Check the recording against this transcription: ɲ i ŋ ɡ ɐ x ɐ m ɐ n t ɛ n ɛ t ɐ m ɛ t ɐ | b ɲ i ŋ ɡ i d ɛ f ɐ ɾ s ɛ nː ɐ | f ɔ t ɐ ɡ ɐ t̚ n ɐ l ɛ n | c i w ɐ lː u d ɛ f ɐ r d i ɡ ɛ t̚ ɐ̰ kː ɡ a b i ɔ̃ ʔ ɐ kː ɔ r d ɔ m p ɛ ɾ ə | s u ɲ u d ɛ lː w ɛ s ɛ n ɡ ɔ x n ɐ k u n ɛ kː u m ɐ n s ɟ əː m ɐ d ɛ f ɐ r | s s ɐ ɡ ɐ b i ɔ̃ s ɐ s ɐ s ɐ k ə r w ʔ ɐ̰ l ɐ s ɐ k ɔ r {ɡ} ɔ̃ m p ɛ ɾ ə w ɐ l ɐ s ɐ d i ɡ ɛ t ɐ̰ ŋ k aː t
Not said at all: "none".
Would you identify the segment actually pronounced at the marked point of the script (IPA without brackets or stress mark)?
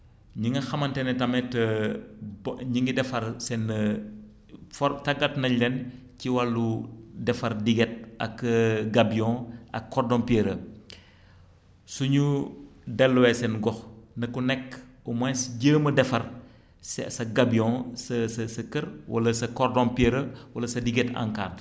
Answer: d